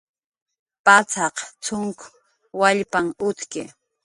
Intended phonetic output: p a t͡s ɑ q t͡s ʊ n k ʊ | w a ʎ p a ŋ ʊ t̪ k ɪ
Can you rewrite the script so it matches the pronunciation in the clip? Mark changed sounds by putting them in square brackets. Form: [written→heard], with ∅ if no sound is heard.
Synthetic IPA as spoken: p a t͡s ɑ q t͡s ʊ [n→ŋ] k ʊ | w a ʎ p a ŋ ʊ t̪ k ɪ